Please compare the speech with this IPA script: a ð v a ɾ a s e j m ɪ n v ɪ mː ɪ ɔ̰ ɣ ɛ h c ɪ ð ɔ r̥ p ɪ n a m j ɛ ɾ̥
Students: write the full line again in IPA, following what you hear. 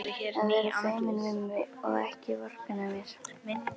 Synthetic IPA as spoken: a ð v ɛ ɾ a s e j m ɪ n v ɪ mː ɪ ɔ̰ ɣ ɛ h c ɪ v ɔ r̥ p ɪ n a m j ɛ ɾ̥